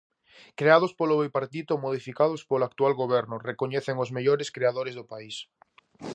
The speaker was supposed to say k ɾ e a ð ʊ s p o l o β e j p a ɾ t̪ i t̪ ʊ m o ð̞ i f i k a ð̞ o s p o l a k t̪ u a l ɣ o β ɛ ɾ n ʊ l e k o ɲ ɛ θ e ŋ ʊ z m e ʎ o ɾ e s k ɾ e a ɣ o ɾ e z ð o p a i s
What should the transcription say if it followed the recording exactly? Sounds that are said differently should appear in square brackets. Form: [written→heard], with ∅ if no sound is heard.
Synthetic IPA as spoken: k ɾ e a ð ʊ s p o l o β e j p a ɾ t̪ i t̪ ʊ m o ð̞ i f i k a ð̞ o s p o l a k t̪ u a l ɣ o β ɛ ɾ n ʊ [l→r] e k o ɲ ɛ θ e ŋ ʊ z m e ʎ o ɾ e s k ɾ e a [ɣ→ð] o ɾ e z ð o p a i s